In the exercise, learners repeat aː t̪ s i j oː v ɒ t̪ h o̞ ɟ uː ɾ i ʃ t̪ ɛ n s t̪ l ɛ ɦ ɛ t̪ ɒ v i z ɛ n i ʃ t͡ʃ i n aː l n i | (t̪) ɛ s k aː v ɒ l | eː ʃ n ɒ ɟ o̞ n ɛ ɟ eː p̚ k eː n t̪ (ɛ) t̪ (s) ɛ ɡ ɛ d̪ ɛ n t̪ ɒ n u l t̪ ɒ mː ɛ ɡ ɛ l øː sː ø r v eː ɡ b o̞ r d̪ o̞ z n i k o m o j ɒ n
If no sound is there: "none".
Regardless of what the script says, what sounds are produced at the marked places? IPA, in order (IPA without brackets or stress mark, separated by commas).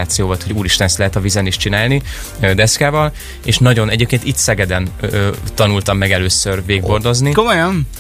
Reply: d̪, i, s